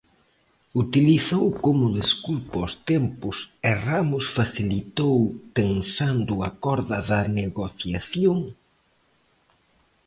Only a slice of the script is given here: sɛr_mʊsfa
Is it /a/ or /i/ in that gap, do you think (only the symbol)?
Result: a